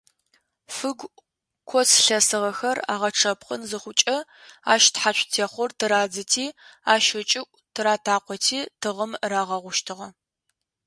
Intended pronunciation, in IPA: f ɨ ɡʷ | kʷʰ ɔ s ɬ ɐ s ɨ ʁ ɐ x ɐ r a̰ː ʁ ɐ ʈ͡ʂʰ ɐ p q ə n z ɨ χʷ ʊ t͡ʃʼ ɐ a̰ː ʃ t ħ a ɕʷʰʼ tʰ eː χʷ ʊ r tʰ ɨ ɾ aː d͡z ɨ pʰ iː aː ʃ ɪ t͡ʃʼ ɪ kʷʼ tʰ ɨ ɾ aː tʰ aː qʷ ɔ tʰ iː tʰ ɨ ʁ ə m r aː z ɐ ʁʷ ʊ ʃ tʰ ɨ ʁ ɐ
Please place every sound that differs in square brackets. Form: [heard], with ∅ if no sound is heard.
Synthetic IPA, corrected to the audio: f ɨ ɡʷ | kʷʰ ɔ s ɬ ɐ s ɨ ʁ ɐ x ɐ r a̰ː ʁ ɐ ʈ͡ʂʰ ɐ p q ə n z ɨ χʷ ʊ t͡ʃʼ ɐ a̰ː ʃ t ħ a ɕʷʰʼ tʰ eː χʷ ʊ r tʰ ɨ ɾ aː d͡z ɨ [tʰ] iː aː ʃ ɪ t͡ʃʼ ɪ kʷʼ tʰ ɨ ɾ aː tʰ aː qʷ ɔ tʰ iː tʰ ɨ ʁ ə m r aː [ʁ] ɐ ʁʷ ʊ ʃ tʰ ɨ ʁ ɐ